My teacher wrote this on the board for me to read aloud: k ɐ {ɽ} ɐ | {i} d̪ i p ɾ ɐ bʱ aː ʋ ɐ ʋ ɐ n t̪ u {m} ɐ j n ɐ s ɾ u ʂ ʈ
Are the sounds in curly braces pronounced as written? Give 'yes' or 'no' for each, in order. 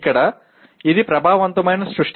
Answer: yes, yes, yes

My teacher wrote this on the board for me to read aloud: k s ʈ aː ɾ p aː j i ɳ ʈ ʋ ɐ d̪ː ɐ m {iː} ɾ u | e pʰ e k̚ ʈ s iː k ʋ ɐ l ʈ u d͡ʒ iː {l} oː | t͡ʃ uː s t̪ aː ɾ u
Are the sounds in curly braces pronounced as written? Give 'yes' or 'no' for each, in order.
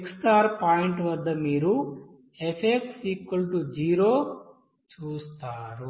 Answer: yes, no

